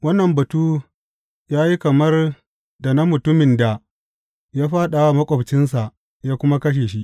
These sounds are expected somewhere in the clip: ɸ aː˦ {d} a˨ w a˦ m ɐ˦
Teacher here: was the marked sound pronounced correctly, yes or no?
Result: no